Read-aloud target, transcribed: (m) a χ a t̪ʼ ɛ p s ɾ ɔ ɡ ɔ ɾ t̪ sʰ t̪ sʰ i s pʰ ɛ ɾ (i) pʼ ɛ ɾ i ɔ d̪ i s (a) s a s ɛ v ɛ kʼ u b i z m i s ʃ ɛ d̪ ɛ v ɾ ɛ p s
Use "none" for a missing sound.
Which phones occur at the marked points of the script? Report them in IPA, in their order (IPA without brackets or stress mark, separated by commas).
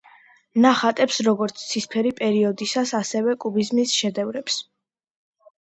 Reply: n, i, a